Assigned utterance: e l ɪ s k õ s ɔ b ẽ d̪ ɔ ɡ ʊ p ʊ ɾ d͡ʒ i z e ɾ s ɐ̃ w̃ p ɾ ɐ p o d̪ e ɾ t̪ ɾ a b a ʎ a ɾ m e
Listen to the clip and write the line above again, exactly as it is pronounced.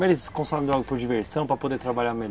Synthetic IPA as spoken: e l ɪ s k õ s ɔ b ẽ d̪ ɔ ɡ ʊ p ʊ ɾ d͡ʒ i v e ɾ s ɐ̃ w̃ p ɾ ɐ p o d̪ e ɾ t̪ ɾ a b a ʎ a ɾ m e